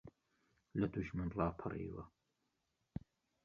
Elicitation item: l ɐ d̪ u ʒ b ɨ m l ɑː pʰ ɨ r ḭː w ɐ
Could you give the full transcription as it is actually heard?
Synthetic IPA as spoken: l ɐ d̪ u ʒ m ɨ n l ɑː pʰ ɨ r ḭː w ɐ